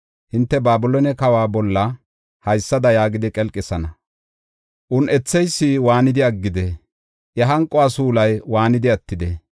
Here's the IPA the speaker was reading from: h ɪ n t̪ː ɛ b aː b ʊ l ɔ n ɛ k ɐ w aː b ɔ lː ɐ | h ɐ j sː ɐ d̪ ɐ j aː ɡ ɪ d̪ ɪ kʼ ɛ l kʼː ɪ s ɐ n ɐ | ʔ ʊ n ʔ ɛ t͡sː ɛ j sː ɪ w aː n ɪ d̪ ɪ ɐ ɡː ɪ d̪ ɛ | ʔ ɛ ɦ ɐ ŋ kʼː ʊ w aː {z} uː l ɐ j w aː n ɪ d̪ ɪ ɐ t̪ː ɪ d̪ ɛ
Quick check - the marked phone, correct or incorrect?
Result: incorrect